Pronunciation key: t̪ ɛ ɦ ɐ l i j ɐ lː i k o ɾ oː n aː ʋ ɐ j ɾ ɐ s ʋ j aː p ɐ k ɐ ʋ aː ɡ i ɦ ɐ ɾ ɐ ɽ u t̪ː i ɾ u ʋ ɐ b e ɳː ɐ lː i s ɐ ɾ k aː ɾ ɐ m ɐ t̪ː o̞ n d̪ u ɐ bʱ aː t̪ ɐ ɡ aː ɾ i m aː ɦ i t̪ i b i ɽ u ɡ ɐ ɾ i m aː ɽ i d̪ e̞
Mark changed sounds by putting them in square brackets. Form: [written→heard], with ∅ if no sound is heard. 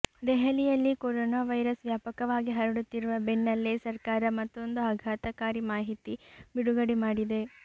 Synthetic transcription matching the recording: [t̪→d̪] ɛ ɦ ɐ l i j ɐ lː i k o ɾ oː n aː ʋ ɐ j ɾ ɐ s ʋ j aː p ɐ k ɐ ʋ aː ɡ i ɦ ɐ ɾ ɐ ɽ u t̪ː i ɾ u ʋ ɐ b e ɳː ɐ lː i s ɐ ɾ k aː ɾ ɐ m ɐ t̪ː o̞ n d̪ u ɐ [bʱ→ɡʱ] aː t̪ ɐ [ɡ→k] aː ɾ i m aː ɦ i t̪ i b i ɽ u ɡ ɐ [ɾ→ɽ] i m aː ɽ i d̪ e̞